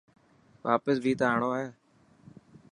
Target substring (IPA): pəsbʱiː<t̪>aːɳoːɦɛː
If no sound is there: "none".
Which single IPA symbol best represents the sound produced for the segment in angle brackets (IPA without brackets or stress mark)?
t̪